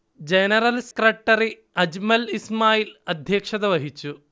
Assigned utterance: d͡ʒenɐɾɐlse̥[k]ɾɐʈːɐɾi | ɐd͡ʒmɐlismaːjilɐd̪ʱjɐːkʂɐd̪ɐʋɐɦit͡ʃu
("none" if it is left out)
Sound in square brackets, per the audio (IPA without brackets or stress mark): k